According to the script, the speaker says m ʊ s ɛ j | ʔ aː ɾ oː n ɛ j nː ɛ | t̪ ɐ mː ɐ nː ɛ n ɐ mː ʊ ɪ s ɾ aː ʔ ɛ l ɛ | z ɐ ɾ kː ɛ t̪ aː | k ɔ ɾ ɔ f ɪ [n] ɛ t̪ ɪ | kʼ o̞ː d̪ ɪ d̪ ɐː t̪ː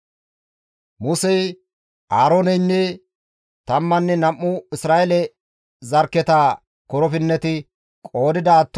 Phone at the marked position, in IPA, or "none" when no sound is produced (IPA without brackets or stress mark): nː